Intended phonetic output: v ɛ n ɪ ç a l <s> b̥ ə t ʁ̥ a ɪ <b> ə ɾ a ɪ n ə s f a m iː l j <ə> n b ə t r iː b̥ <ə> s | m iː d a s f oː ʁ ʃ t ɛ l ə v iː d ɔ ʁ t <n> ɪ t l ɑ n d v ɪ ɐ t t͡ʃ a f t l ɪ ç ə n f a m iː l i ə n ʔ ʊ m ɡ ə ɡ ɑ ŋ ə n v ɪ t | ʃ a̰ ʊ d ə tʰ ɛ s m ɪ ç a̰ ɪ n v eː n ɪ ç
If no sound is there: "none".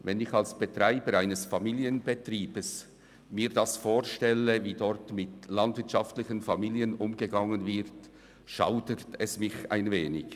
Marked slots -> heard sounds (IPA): s, b, ə, ə, m

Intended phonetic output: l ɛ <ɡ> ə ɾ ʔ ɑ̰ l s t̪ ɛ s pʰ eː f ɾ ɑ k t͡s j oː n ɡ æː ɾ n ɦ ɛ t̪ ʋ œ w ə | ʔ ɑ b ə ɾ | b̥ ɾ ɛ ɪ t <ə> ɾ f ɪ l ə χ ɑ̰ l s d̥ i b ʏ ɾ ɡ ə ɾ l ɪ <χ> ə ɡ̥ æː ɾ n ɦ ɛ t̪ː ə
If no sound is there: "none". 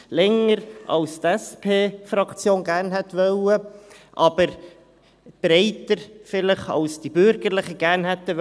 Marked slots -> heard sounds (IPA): ŋ, ə, χ

